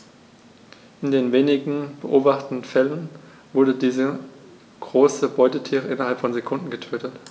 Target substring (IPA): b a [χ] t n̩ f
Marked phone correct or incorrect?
correct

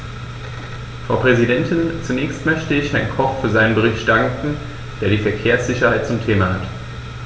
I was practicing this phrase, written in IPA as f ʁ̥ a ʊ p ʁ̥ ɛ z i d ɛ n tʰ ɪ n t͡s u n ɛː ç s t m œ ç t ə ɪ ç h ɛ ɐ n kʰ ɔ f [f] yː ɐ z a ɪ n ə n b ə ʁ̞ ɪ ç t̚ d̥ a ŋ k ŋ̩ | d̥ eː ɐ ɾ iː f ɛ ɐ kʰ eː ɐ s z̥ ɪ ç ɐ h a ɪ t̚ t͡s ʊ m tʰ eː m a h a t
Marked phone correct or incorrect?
correct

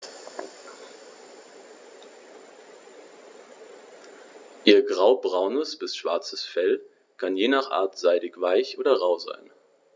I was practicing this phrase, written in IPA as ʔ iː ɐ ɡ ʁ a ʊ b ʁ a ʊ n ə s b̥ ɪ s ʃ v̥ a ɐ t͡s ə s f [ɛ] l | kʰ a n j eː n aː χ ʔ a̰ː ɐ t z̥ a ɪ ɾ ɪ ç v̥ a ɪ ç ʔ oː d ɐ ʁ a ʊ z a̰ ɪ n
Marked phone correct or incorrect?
correct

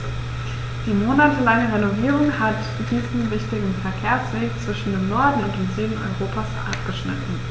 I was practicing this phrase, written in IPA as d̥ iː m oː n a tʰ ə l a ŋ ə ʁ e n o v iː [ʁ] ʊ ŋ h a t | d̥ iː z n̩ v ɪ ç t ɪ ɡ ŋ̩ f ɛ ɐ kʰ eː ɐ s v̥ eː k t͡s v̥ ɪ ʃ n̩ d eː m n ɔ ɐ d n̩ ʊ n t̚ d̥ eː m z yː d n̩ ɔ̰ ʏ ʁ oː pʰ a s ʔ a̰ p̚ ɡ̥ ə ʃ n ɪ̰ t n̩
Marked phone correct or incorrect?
correct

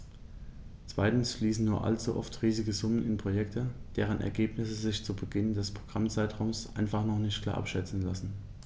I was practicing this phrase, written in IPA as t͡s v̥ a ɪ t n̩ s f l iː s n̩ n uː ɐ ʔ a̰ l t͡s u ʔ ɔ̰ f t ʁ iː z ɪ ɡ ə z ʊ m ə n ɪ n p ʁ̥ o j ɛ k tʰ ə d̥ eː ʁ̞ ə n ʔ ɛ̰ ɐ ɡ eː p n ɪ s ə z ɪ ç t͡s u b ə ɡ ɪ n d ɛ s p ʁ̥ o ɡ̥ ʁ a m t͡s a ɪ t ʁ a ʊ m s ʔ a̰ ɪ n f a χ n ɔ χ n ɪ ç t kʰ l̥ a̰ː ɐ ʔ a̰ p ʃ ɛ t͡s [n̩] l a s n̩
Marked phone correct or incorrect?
correct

